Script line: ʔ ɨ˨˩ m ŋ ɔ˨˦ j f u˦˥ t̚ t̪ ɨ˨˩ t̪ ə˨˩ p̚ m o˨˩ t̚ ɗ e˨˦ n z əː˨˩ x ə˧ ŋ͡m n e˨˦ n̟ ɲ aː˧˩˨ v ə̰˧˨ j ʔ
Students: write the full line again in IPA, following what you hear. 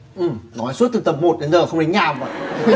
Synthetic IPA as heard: ʔ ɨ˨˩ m n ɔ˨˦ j s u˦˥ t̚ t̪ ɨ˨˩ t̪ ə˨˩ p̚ m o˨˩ t̚ ɗ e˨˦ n z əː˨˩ x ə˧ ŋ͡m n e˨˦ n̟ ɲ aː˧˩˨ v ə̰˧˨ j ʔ